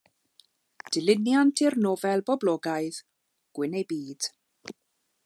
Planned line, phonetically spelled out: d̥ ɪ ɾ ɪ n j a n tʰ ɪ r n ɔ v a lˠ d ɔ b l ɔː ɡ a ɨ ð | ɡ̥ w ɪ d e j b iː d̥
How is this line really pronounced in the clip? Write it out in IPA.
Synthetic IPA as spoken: d̥ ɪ l ɪ n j a n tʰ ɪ r n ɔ v ɛ lˠ b ɔ b l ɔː ɡ a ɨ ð | ɡ̥ w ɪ n e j b iː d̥